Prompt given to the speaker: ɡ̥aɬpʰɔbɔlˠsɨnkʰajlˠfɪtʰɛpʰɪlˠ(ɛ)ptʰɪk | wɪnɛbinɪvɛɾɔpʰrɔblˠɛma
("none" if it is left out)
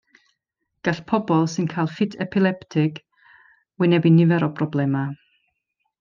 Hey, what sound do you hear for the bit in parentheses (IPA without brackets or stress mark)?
ɛ